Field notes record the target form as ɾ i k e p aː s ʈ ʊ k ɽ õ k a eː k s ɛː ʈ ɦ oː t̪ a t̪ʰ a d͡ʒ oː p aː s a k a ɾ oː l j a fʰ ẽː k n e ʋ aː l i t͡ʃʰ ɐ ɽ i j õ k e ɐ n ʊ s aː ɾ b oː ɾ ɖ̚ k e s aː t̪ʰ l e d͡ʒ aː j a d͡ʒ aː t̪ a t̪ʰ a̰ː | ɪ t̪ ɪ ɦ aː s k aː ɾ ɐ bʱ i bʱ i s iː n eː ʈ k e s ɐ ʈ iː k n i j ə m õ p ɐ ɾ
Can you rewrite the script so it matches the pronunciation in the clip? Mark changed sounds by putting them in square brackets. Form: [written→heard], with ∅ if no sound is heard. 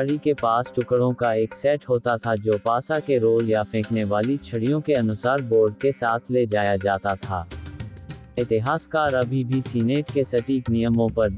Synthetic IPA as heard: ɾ i k e p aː s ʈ ʊ k ɽ õ k a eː k s ɛː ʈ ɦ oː t̪ a t̪ʰ a d͡ʒ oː p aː s a k [a→e] ɾ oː l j a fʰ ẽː k n e ʋ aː l i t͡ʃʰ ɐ ɽ i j õ k e ɐ n ʊ s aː ɾ b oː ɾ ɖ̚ k e s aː t̪ʰ l e d͡ʒ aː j a d͡ʒ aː t̪ a t̪ʰ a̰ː | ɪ t̪ ɪ ɦ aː s k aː ɾ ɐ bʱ i bʱ i s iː n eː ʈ k e s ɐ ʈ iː k n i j ə m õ p ɐ ɾ